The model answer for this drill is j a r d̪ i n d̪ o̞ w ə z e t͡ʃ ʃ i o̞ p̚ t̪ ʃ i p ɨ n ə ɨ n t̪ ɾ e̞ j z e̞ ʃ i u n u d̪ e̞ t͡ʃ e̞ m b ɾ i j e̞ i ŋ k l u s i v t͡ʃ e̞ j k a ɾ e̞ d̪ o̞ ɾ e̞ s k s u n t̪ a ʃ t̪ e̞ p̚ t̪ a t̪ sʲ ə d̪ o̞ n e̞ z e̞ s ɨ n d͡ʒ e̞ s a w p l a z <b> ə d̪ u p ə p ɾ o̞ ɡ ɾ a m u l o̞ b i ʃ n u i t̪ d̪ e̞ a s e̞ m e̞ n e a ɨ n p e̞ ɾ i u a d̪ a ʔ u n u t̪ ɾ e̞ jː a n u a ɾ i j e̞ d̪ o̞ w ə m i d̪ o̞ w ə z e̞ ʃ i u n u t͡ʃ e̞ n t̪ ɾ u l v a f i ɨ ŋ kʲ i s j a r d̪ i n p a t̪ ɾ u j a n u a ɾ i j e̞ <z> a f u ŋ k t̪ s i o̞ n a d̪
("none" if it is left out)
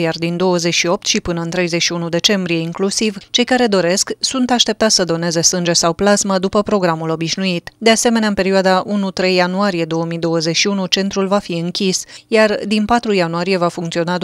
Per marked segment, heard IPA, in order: m, v

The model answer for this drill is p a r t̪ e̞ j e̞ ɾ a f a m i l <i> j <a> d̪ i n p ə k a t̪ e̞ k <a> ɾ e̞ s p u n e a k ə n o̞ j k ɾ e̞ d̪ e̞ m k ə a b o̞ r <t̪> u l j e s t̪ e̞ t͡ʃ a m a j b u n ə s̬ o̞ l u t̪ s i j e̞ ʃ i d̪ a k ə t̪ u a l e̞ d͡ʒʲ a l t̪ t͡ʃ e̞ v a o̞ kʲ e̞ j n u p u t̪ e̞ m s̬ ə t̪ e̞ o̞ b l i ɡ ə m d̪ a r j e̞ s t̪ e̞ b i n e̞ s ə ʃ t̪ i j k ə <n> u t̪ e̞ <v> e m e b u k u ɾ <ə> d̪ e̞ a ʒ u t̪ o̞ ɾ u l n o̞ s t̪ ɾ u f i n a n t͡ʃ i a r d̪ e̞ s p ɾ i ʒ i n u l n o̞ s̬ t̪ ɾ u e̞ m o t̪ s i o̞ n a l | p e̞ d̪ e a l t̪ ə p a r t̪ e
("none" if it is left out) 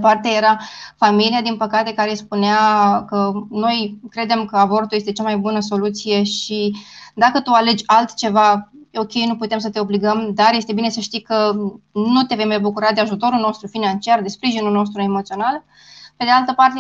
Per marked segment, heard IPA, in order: i, a, a, t̪, n, v, a

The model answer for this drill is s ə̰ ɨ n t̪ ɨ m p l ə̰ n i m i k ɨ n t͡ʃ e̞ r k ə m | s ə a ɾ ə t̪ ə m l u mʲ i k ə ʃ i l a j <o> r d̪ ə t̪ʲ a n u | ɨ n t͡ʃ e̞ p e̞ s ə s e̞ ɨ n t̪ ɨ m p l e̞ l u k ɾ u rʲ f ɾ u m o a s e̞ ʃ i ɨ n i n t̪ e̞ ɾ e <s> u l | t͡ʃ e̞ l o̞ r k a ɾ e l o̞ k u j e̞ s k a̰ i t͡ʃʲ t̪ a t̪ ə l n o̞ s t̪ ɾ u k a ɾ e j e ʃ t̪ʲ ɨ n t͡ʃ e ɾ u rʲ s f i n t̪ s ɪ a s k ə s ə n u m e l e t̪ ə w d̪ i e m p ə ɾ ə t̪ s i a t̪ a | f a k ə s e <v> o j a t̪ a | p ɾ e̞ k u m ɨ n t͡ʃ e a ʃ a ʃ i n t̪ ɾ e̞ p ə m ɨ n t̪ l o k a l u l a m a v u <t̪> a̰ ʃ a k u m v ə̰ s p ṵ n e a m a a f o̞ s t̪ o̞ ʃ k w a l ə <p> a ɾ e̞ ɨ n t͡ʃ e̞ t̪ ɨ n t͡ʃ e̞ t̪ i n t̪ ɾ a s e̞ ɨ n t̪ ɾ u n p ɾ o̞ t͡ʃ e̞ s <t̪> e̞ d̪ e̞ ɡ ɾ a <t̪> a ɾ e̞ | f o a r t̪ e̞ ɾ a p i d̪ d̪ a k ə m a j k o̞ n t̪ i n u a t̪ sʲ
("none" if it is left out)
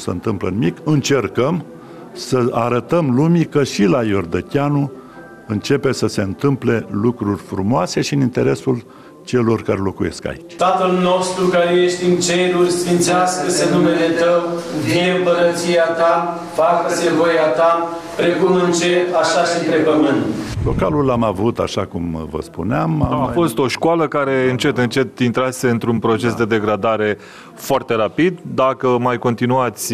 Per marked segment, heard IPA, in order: o, s, v, t̪, k, d̪, d̪

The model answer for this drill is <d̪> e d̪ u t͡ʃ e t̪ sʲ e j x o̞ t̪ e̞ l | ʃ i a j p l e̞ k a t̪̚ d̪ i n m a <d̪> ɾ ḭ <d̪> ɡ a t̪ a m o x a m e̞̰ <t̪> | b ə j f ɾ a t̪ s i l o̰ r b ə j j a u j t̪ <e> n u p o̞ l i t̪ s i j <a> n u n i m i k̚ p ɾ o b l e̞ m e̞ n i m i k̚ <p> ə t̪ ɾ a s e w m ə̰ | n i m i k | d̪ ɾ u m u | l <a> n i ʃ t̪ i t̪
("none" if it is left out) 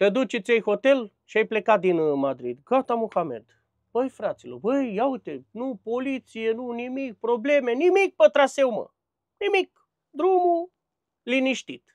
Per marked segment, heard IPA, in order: t̪, d̪, d̪, d̪, e, e, p, i

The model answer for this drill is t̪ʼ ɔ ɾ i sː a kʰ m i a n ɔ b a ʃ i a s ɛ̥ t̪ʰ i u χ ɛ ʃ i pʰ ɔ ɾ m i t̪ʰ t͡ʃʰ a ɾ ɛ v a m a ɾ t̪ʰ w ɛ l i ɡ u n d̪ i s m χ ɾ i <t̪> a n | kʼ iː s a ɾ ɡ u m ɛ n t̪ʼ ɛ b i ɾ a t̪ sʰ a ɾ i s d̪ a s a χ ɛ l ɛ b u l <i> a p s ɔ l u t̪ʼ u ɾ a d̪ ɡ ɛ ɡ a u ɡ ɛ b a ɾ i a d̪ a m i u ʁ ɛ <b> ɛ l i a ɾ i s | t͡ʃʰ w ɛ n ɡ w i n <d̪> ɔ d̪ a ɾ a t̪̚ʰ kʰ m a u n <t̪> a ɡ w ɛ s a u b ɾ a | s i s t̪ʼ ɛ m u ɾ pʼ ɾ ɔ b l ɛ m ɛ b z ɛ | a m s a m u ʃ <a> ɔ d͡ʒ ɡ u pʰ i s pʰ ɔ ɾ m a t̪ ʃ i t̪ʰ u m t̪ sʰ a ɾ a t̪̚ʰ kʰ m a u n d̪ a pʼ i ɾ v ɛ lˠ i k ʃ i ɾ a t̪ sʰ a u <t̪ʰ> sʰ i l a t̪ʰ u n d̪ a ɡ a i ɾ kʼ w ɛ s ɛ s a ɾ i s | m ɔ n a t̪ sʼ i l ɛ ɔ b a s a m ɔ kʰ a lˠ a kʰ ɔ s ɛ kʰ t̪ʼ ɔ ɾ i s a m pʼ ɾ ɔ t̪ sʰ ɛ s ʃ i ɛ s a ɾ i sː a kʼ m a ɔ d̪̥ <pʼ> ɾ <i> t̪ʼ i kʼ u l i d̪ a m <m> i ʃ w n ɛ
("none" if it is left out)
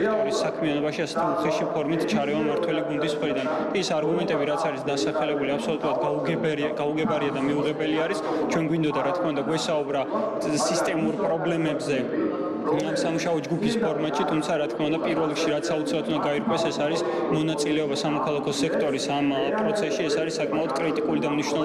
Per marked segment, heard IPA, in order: d̪, i, b, d̪, d̪, a, t̪, kʼ, i, n

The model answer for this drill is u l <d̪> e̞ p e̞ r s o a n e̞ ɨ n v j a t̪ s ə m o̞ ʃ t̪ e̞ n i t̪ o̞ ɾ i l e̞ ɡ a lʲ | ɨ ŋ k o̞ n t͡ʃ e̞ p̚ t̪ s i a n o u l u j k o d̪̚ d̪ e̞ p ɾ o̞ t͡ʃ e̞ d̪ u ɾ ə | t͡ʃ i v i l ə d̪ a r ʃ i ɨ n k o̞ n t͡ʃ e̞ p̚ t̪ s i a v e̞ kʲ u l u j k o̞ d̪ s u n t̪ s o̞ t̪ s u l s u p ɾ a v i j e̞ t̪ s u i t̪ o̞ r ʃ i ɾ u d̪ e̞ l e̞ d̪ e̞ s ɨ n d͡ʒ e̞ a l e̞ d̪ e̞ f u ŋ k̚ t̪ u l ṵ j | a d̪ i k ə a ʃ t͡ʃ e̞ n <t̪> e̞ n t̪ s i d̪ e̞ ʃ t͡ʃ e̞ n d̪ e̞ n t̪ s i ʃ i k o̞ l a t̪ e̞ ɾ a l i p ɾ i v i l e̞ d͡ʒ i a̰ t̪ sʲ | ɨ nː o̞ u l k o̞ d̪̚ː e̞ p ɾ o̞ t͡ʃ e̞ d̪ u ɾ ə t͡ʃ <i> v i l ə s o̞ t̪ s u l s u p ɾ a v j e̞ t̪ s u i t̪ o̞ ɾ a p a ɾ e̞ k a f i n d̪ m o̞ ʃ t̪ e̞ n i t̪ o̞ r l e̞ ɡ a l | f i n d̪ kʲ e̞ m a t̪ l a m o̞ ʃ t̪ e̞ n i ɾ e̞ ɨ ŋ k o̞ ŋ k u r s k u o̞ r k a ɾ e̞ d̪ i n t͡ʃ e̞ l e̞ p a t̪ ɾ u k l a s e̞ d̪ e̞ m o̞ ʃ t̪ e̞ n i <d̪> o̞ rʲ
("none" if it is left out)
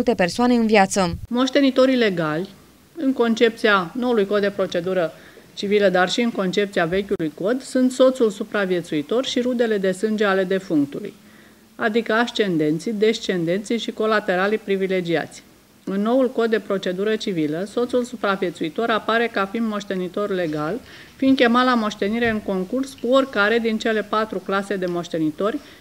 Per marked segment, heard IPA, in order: t̪, d̪, i, t̪

